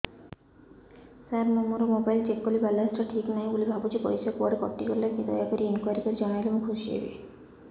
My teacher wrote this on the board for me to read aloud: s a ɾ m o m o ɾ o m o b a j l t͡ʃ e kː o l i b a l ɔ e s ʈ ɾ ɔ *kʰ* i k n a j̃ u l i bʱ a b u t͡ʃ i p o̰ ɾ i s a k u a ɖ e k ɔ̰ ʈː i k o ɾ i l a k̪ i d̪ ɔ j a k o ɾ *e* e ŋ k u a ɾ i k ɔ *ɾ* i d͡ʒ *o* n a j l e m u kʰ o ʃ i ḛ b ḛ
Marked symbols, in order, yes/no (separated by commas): no, no, yes, no